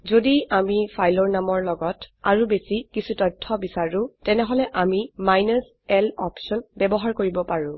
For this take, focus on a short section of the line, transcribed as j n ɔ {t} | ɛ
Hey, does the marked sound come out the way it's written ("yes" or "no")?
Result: no